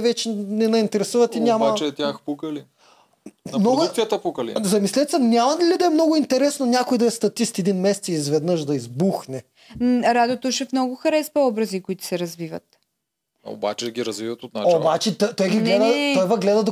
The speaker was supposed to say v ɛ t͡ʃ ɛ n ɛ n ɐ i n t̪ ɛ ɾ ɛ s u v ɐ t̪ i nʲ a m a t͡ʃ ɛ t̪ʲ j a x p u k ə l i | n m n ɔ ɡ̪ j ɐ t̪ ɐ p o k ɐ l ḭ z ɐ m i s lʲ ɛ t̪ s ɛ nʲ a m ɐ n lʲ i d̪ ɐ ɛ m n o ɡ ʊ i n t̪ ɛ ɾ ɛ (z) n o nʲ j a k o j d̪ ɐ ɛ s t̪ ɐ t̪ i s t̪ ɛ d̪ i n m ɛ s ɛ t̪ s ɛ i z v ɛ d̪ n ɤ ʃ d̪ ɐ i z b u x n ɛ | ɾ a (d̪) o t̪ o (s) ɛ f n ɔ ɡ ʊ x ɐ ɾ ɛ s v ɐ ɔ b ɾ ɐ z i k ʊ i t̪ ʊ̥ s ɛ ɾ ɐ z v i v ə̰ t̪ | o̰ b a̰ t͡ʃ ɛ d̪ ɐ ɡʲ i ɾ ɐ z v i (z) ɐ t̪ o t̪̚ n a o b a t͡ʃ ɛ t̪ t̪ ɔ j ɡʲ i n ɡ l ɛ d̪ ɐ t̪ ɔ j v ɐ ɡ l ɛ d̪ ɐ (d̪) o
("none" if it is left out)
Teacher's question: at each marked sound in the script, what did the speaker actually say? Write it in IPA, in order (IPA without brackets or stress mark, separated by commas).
s, d̪, ʃ, v, d̪